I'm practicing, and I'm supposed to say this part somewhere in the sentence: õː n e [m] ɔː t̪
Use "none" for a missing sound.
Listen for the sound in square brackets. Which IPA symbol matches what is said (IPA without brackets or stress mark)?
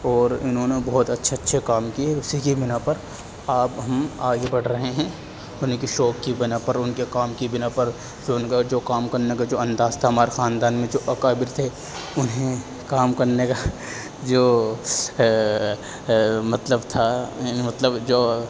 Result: b